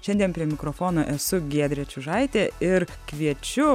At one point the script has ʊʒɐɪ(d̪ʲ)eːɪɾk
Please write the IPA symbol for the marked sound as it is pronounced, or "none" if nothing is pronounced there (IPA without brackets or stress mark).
t̪ʲ